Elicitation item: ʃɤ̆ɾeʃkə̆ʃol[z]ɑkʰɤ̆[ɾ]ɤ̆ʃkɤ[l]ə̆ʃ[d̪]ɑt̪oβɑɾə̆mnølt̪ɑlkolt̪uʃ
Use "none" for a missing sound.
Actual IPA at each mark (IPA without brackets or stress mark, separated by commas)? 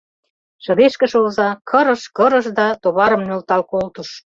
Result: z, ɾ, ɾ, d̪